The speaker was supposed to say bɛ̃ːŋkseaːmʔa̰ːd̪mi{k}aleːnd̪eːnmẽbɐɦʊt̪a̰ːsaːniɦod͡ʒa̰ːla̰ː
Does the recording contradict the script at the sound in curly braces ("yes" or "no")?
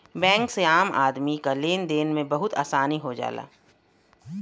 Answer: no